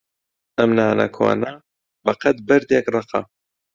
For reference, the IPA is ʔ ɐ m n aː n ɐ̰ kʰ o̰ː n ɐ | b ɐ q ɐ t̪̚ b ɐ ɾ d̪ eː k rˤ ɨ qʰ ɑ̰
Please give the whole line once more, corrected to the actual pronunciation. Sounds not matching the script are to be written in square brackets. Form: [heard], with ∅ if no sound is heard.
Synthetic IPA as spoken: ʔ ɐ m n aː n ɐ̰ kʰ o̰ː n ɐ | b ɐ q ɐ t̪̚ b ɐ ɾ d̪ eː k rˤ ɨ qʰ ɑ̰